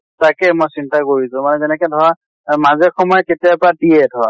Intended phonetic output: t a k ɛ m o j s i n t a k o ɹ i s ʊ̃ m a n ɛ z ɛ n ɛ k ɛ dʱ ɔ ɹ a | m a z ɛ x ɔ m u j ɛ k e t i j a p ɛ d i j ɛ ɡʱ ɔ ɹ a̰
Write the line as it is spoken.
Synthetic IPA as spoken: t a k ɛ m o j s i n t a k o ɹ i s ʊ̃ m a n ɛ z ɛ n ɛ k ɛ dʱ ɔ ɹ a | m a z ɛ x ɔ m ɔ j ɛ k e t i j a p a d i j ɛ dʱ ɔ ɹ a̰